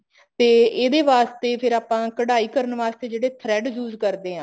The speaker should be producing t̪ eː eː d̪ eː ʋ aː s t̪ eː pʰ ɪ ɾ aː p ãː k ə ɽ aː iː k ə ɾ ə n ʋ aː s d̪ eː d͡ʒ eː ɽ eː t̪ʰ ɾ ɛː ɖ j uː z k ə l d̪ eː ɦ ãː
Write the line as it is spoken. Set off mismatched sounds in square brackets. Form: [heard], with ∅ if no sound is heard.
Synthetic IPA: t̪ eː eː d̪ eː ʋ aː s t̪ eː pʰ ɪ ɾ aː p ãː k ə ɽ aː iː k ə ɾ ə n ʋ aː s [t̪] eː d͡ʒ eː ɽ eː t̪ʰ ɾ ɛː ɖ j uː z k ə [ɾ] d̪ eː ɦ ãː